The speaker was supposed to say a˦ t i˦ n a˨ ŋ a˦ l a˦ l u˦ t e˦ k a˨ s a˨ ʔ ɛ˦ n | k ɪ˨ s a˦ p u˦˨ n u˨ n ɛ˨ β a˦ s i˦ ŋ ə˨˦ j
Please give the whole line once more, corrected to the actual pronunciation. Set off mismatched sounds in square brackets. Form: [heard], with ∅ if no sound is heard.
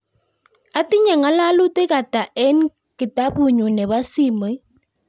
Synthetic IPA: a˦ t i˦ [ɲ] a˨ ŋ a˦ l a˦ l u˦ t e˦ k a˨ [t] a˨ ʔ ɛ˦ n | k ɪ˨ [t] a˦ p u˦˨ [ɲ] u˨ n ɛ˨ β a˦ s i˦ [m] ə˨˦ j